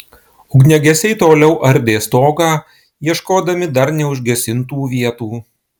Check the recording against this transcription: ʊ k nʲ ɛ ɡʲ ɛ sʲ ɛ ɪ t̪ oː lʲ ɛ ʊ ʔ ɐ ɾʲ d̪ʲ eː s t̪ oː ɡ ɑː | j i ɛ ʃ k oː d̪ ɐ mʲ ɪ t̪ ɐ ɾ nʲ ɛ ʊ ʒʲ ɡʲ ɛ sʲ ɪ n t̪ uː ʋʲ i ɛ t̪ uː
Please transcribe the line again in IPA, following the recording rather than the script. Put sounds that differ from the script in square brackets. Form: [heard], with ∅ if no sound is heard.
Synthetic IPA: ʊ [ɡ] nʲ ɛ ɡʲ ɛ sʲ ɛ ɪ t̪ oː lʲ ɛ ʊ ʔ ɐ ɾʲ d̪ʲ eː s t̪ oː ɡ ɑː | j i ɛ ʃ k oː d̪ ɐ mʲ ɪ [d̪] ɐ ɾ nʲ ɛ ʊ ʒʲ ɡʲ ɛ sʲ ɪ n t̪ uː ʋʲ i ɛ t̪ uː